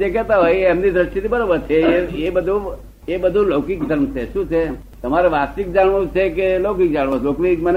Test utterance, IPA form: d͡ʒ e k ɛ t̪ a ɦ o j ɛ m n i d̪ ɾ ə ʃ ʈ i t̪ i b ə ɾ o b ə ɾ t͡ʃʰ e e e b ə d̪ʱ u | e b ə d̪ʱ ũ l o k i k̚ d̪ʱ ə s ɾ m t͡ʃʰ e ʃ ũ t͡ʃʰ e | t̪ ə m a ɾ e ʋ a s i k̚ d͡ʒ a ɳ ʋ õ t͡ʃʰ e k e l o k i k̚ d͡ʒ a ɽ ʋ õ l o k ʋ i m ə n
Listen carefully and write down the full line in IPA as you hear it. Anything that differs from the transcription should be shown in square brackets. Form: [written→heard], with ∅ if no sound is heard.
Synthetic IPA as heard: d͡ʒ e k ɛ t̪ a ɦ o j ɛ m n i d̪ ɾ ə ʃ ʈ i t̪ i b ə ɾ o b ə ɾ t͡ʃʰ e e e b ə d̪ʱ u | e b ə d̪ʱ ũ l o k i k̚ d̪ʱ ə [s→∅] ɾ m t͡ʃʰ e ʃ ũ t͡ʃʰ e | t̪ ə m a ɾ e ʋ a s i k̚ d͡ʒ a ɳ ʋ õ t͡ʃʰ e k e l o k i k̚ d͡ʒ a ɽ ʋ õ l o k ʋ i m ə n